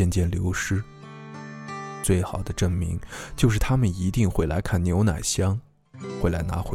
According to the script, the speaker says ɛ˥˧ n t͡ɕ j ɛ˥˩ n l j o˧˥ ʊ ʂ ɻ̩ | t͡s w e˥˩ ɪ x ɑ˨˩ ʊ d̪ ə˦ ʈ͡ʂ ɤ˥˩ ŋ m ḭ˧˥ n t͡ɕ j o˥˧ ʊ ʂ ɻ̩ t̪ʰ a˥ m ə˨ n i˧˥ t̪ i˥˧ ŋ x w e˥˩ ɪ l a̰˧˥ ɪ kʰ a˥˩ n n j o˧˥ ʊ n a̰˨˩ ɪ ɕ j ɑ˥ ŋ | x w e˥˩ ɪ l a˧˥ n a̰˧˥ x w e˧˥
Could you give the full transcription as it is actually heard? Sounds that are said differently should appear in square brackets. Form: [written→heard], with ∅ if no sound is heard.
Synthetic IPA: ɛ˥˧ n t͡ɕ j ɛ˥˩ n l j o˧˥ ʊ ʂ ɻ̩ | t͡s w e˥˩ ɪ x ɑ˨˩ ʊ d̪ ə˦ ʈ͡ʂ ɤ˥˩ ŋ m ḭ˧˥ [n→ŋ] t͡ɕ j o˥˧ ʊ ʂ ɻ̩ t̪ʰ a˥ m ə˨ n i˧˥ t̪ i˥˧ ŋ x w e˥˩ ɪ l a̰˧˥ ɪ kʰ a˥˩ n n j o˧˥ ʊ n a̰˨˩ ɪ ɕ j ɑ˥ ŋ | x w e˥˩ ɪ l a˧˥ n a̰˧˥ x w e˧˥